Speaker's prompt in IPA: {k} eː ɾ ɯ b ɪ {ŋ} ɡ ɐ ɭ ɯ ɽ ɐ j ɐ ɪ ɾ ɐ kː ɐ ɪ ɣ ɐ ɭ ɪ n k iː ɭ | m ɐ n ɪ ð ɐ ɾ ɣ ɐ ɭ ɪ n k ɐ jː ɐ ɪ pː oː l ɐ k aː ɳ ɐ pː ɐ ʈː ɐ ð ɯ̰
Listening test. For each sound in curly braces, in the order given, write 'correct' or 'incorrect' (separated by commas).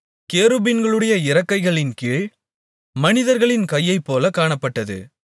correct, incorrect